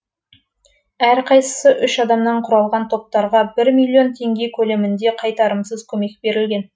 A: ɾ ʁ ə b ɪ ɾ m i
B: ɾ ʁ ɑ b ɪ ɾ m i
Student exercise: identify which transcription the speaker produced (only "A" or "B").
B